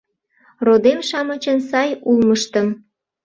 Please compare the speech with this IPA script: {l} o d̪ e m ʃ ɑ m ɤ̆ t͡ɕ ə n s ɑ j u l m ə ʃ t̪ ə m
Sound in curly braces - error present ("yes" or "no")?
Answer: yes